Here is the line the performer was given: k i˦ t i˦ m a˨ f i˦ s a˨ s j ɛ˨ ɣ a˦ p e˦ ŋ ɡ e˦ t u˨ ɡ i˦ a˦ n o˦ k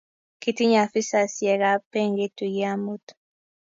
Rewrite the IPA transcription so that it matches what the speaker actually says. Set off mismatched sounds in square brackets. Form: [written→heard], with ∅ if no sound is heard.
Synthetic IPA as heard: k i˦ t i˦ [m→ɲ] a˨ f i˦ s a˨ s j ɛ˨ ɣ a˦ p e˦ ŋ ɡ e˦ t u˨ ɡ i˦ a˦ [n→m] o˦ [k→t]